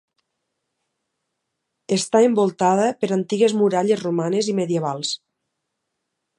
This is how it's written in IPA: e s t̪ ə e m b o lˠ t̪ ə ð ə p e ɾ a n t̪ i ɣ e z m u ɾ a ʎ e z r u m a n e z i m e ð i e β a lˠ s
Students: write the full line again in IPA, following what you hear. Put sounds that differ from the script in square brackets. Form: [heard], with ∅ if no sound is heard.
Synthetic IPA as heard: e s t̪ [a] e m b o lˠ t̪ [a] ð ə p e ɾ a n t̪ i ɣ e z m u ɾ a ʎ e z r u m a n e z i m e ð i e β a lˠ s